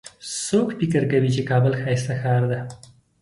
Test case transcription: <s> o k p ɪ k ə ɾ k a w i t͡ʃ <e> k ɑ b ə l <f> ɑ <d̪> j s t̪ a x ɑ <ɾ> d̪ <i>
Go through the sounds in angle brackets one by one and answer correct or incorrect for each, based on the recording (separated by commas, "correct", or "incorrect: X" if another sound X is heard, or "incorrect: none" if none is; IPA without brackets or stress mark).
correct, correct, incorrect: x, incorrect: none, correct, incorrect: a